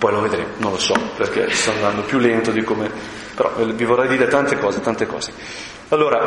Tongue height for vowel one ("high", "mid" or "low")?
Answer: mid